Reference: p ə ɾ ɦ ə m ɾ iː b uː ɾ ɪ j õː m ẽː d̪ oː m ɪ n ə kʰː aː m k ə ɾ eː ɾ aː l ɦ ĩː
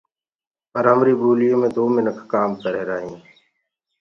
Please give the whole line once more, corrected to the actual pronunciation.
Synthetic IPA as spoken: p ə ɾ ɦ ə m ɾ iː b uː l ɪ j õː m ẽː d̪ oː m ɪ n ə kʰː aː m k ə ɾ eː ɾ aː ɦ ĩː